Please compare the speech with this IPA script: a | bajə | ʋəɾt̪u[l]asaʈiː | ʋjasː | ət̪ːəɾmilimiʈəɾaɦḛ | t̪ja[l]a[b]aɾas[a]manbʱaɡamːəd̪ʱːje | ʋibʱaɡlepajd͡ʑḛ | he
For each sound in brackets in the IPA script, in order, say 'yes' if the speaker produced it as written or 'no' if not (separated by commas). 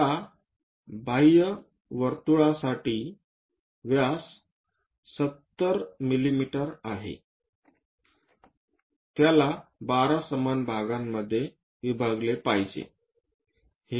no, yes, yes, no